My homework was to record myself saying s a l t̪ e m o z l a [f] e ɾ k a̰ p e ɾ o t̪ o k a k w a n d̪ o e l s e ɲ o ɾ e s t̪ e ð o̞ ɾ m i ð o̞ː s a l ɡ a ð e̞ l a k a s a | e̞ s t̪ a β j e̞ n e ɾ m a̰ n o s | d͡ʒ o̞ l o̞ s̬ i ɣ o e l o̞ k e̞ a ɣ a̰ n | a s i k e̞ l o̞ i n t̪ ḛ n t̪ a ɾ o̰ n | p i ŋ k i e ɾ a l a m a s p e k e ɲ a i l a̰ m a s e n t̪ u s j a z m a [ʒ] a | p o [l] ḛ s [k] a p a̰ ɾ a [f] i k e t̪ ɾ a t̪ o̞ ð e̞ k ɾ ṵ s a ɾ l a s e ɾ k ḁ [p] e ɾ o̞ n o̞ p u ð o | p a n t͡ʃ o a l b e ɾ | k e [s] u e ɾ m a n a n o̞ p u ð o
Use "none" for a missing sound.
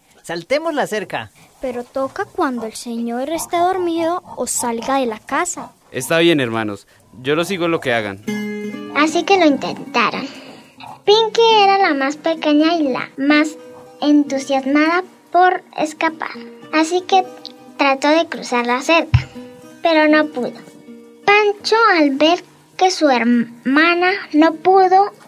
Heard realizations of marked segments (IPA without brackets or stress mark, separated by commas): s, ð, ɾ, k, s, p, s